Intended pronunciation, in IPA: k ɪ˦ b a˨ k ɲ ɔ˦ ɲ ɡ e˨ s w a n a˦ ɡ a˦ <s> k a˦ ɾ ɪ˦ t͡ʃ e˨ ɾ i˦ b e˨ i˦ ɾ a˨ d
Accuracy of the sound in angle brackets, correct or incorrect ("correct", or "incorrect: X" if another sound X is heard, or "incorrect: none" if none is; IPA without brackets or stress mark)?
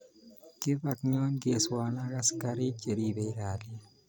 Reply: correct